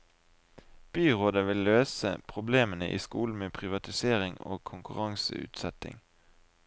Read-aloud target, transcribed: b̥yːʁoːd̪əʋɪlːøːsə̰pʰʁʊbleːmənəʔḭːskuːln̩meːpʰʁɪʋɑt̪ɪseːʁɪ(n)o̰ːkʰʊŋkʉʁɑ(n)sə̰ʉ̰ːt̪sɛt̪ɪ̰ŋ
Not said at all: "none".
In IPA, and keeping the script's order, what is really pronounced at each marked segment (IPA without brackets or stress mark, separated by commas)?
ŋ, ŋ